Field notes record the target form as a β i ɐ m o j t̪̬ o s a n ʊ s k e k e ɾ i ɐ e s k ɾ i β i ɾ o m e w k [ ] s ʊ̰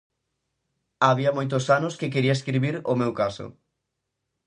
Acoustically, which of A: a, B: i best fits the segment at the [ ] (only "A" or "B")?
A